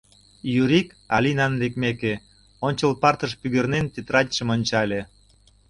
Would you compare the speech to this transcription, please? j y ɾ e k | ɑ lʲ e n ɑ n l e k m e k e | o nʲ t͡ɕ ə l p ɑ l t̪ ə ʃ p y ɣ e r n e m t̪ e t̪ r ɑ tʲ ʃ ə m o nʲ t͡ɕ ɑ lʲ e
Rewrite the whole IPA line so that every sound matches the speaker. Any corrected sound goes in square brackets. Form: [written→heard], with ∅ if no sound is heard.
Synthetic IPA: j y ɾ [e→i] k | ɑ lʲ [e→i] n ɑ n l e k m e k e | o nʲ t͡ɕ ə l p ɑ [l→r] t̪ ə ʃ p y ɣ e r n e [m→n] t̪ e t̪ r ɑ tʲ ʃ ə m o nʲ t͡ɕ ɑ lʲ e